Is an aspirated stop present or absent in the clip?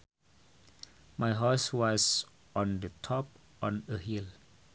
present